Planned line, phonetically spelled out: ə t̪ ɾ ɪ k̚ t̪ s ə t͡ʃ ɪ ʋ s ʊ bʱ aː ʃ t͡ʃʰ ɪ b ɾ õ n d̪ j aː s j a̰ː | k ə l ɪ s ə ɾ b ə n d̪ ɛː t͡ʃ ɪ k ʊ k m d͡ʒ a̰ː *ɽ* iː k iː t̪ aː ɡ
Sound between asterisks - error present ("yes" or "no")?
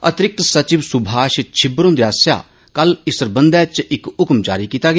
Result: yes